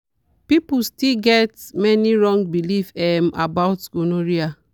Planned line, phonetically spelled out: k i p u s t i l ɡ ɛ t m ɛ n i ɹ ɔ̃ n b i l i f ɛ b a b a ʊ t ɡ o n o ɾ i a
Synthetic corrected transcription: p i p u s t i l ɡ ɛ t m ɛ n i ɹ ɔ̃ ŋ b i l i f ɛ m a b a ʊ t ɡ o n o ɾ i a